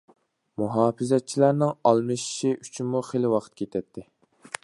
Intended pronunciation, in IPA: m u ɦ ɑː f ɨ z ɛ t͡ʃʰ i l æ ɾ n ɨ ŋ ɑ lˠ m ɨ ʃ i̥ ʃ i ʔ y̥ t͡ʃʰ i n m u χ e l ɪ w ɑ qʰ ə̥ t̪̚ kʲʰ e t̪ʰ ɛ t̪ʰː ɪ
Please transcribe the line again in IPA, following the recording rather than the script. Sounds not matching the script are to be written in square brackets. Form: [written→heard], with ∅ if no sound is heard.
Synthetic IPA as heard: m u ɦ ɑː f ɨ z ɛ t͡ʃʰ i l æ ɾ n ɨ ŋ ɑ lˠ m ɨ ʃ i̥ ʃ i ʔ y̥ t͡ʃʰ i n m u χ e l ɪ w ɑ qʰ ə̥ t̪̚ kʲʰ e t̪ʰ ɛ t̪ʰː ɪ